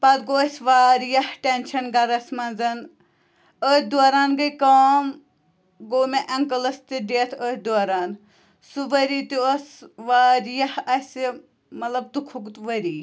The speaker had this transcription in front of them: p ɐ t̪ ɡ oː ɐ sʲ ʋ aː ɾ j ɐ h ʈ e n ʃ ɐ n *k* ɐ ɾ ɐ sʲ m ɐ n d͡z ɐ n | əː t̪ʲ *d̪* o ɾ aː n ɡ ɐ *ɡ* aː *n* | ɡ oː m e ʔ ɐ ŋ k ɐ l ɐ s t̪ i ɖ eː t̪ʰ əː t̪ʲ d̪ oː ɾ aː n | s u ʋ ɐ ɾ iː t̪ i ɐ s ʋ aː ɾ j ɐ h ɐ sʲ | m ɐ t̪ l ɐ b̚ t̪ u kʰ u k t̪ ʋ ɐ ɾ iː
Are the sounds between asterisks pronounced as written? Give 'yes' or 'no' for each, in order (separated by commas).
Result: no, yes, no, no